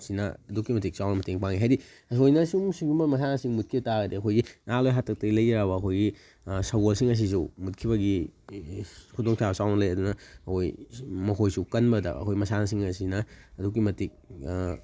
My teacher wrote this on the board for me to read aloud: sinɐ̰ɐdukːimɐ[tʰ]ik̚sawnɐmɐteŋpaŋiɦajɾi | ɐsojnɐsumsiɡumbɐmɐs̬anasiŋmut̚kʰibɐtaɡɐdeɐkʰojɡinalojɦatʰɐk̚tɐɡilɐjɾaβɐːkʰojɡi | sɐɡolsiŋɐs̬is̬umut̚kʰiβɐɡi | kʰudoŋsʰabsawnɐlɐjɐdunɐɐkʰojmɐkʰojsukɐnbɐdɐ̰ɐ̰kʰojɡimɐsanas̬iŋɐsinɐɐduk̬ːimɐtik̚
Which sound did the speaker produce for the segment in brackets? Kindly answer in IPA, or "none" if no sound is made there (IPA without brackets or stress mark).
t